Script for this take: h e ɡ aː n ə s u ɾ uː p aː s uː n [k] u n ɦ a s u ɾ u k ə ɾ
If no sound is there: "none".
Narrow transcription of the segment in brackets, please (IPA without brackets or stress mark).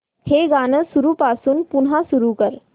p